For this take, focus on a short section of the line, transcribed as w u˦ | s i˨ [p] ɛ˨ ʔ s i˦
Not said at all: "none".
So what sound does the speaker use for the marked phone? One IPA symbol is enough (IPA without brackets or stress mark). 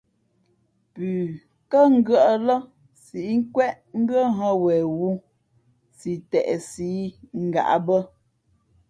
t